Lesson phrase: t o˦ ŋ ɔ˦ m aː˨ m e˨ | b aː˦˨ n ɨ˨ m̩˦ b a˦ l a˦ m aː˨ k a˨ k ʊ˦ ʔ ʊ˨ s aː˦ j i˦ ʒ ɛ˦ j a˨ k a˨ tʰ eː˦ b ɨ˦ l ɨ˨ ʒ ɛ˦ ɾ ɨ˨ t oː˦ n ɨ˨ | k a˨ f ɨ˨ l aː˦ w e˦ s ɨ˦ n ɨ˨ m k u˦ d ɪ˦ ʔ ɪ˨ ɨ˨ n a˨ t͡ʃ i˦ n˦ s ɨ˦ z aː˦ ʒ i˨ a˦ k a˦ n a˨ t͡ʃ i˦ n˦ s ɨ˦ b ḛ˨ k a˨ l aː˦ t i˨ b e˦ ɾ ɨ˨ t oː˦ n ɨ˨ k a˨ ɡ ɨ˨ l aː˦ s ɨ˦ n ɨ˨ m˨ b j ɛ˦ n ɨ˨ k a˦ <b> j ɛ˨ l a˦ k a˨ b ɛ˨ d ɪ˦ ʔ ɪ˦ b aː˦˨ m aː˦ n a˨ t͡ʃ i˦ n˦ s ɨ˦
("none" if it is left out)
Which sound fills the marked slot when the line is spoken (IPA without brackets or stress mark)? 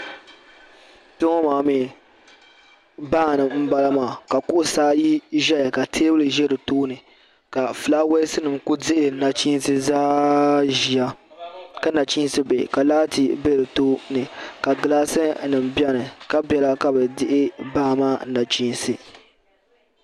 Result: b